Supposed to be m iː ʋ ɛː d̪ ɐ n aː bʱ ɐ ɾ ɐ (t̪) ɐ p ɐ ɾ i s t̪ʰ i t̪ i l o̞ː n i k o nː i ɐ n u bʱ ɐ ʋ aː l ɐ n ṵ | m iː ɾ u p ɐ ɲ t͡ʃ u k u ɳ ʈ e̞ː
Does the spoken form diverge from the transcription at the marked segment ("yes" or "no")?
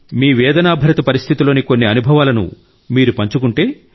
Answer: no